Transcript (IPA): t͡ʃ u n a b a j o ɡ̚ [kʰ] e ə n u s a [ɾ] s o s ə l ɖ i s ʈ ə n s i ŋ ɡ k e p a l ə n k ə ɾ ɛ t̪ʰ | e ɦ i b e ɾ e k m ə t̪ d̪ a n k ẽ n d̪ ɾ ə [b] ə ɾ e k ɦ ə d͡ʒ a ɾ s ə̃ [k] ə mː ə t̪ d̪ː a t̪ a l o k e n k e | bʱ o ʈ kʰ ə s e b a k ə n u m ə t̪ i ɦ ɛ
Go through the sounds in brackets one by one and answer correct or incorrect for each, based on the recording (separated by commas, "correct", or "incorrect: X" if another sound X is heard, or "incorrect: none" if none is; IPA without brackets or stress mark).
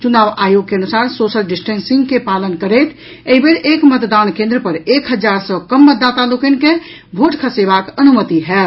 incorrect: k, correct, incorrect: p, correct